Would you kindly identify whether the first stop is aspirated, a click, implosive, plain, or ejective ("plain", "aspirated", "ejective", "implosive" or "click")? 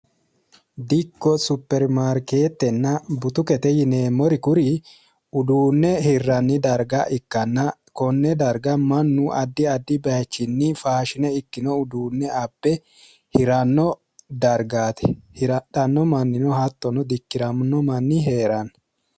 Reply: plain